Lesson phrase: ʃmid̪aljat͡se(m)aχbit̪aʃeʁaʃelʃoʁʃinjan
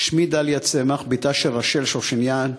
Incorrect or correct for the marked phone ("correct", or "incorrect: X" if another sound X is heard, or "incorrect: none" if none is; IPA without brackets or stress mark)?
correct